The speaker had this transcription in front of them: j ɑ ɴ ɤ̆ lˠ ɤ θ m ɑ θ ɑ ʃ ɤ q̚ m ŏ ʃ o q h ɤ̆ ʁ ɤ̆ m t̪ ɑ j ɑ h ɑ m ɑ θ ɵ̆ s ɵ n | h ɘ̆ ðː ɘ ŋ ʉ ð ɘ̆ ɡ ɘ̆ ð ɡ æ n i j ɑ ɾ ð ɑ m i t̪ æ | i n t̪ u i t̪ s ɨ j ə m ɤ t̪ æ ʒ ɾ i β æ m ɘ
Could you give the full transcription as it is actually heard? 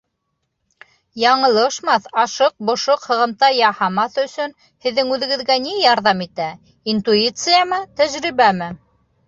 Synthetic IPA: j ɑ ɴ ɤ̆ lˠ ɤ ʃ m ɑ θ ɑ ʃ ɤ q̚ b ŏ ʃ o q h ɤ̆ ʁ ɤ̆ m t̪ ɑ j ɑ h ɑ m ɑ θ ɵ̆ s ɵ n | h ɘ̆ ðː ɘ ŋ ʉ ð ɘ̆ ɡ ɘ̆ ð ɡ æ n i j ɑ ɾ ð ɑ m i t̪ æ | i n t̪ u i t̪ s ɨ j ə m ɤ t̪ æ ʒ ɾ i β æ m ɘ